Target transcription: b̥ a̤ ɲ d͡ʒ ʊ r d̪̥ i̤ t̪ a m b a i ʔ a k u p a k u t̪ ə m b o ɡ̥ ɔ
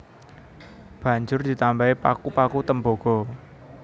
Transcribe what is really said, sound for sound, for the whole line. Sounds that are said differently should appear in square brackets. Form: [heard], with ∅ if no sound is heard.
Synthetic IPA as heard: b̥ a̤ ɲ d͡ʒ ʊ r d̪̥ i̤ t̪ a m b a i [p] a k u p a k u t̪ ə m b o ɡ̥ ɔ